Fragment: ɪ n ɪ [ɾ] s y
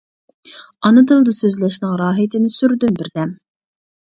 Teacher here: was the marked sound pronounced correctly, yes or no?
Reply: no